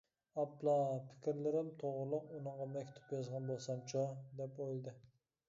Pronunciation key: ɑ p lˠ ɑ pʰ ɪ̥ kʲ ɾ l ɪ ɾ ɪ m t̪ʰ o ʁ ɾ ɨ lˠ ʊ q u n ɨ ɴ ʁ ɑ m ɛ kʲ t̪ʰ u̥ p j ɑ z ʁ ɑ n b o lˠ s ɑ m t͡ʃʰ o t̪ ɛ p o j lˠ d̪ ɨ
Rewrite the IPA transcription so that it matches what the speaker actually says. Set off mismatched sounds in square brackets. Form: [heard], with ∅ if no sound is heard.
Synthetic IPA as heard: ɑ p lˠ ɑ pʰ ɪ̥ kʲ ɾ l ɪ ɾ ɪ m t̪ʰ o ʁ ɾ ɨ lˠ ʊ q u n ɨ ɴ ʁ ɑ m ɛ kʲ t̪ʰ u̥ p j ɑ z ʁ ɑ n b o lˠ s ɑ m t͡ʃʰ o [d̪] ɛ p o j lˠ d̪ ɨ